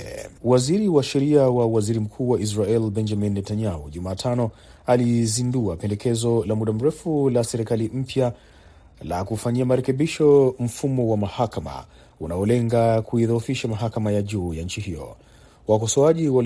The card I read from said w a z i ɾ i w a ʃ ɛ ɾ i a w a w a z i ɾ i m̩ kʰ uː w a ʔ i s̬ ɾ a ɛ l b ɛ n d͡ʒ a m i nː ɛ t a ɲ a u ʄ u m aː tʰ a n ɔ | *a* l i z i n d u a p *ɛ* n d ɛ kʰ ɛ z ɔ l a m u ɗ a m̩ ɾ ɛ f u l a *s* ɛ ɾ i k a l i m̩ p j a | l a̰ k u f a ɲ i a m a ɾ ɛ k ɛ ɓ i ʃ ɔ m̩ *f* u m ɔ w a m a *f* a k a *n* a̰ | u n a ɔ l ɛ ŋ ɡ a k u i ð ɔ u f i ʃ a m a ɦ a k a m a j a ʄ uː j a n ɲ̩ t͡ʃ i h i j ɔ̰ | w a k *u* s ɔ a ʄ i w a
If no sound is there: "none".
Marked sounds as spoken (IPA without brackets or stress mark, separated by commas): a, ɛ, s, f, h, m, ɔ